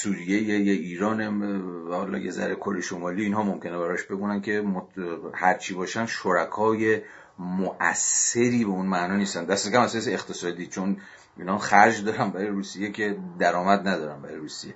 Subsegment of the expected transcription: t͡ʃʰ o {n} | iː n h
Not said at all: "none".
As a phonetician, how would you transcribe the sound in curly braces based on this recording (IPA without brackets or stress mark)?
n